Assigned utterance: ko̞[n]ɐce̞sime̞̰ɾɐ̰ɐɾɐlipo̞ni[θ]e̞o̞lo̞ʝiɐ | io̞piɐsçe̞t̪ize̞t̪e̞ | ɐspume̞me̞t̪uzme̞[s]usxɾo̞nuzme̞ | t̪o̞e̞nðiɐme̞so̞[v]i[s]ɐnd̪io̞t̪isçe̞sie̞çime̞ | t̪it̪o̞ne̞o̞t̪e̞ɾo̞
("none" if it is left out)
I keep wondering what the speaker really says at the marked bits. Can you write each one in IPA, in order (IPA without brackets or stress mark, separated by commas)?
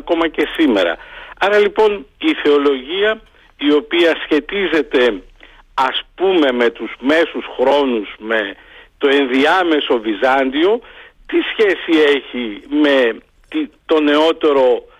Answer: m, θ, s, v, z